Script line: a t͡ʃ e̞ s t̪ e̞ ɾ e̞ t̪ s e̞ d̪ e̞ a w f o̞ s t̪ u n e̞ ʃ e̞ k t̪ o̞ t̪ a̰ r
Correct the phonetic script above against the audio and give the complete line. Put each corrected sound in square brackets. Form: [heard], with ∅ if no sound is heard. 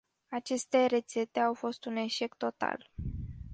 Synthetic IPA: a t͡ʃ e̞ s t̪ e̞ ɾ e̞ t̪ s e̞ [t̪] e̞ a w f o̞ s t̪ u n e̞ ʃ e̞ k t̪ o̞ t̪ a̰ [l]